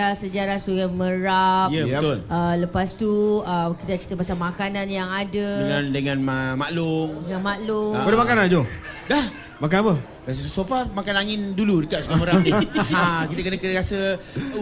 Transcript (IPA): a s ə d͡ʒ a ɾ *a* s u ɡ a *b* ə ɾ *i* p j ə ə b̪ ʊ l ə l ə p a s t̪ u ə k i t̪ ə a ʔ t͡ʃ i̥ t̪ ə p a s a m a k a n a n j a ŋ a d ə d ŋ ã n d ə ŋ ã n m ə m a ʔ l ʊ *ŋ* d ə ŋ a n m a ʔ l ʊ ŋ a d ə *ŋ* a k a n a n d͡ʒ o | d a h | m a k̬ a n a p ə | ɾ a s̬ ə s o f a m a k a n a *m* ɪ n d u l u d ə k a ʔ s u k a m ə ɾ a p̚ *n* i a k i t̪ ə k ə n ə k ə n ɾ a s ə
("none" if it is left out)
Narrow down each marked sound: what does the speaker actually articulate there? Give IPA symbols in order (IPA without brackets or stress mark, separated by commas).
a, m, a, ŋ, m, ŋ, n